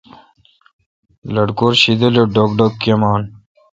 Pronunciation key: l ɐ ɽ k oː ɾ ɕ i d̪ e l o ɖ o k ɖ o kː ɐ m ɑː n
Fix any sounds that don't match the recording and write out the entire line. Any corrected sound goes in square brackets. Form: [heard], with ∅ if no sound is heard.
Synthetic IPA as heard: l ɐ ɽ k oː ɾ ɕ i d̪ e l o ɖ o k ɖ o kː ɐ m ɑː n